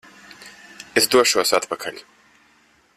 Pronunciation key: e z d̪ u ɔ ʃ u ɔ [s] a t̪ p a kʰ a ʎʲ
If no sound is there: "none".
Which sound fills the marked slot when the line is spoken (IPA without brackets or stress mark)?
s